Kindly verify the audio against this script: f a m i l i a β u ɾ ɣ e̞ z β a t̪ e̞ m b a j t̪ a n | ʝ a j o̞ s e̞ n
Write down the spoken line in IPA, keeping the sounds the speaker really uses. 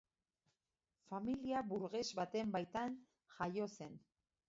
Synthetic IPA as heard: f a m i l i a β u ɾ ɣ e̞ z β a t̪ e̞ m b a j t̪ a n | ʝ a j o̞ s e̞ n